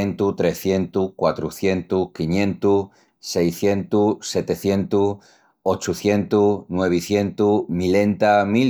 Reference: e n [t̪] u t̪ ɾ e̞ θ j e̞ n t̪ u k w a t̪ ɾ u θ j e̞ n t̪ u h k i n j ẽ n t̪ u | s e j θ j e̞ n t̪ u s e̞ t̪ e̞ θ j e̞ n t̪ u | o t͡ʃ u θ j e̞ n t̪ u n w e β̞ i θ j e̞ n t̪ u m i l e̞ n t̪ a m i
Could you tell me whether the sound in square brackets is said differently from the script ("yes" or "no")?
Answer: no